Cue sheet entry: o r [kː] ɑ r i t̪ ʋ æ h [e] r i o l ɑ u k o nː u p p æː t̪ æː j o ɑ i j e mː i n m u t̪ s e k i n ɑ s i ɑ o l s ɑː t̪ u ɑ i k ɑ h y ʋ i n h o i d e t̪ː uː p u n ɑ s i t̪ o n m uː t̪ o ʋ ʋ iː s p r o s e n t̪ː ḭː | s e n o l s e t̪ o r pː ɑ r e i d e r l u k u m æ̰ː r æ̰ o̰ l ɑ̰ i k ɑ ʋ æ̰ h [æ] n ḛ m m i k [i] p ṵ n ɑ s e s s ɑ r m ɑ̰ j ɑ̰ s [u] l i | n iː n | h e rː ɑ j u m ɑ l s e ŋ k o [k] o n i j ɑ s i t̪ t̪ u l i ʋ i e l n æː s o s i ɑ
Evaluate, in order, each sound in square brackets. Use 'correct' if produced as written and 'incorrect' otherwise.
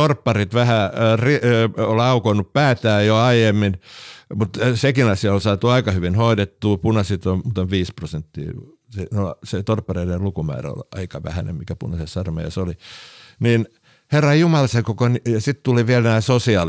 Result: incorrect: pː, incorrect: æ, correct, incorrect: æ, incorrect: o, correct

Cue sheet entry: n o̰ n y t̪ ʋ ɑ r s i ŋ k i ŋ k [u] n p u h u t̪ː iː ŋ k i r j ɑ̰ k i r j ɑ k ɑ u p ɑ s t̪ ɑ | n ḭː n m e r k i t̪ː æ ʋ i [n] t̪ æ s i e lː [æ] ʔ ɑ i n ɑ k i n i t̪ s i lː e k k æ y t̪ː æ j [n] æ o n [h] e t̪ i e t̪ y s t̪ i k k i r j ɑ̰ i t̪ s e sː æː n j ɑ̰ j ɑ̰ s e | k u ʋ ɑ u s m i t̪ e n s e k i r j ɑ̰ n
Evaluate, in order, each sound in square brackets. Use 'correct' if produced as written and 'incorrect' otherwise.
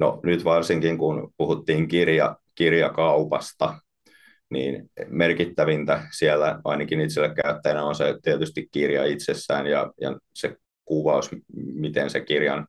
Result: correct, correct, correct, correct, incorrect: s

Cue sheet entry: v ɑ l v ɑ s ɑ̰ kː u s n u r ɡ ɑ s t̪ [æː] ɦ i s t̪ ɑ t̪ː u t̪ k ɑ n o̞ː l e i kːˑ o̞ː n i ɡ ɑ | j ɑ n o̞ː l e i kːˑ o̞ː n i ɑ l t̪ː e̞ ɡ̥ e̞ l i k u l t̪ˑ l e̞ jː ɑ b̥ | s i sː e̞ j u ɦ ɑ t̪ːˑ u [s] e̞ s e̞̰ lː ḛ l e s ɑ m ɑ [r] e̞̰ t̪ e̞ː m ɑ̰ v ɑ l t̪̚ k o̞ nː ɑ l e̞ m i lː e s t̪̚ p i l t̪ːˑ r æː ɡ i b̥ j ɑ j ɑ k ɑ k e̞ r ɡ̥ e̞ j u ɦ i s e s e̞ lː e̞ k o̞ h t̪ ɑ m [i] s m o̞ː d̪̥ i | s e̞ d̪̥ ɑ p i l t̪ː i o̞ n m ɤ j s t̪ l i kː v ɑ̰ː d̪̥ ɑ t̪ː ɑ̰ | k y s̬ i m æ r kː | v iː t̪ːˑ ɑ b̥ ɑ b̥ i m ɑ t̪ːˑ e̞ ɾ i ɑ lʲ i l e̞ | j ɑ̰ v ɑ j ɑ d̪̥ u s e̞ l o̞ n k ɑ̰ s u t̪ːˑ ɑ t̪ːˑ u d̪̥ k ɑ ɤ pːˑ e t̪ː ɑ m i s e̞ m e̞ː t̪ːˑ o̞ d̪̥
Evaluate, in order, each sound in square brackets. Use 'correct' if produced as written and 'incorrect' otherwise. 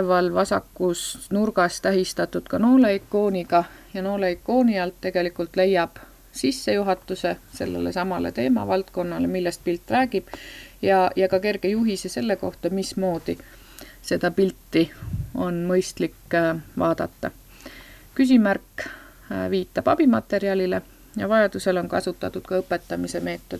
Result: incorrect: æ, correct, incorrect: l, correct

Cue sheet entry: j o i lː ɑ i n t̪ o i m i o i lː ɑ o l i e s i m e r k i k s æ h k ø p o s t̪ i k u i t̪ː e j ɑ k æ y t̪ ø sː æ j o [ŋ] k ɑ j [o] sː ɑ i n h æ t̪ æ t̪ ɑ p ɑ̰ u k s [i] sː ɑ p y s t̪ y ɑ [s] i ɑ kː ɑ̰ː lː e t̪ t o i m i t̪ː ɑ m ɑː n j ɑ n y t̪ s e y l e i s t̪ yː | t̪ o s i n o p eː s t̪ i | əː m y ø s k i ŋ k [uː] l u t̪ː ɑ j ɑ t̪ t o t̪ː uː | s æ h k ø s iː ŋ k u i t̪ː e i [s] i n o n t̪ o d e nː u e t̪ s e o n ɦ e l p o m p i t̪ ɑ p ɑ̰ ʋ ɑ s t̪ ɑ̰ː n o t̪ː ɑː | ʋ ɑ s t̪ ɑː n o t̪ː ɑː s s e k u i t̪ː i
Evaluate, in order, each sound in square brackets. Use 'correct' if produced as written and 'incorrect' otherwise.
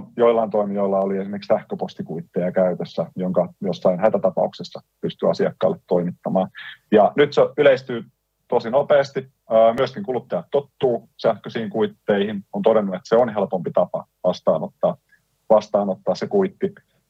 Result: correct, correct, incorrect: e, correct, incorrect: u, incorrect: h

